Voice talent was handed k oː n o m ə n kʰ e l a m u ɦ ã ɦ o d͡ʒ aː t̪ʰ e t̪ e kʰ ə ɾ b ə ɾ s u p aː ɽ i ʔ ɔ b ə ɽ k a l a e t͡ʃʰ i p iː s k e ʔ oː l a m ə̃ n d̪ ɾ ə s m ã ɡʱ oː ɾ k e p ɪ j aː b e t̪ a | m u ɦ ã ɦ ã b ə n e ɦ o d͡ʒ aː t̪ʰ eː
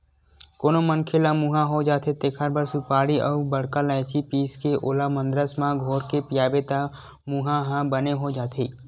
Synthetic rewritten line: k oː n o m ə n kʰ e l a m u ɦ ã ɦ o d͡ʒ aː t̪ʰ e t̪ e kʰ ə ɾ b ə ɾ s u p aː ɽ i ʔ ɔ b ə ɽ k a l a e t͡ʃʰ i p iː s k e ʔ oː l a m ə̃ n d̪ ɾ ə s m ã ɡʱ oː ɾ k e p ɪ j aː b e t̪ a | m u ɦ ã ɦ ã b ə n e ɦ o d͡ʒ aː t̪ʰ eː